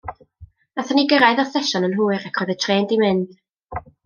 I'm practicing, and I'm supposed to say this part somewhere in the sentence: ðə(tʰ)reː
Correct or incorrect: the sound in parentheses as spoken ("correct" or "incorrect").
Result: correct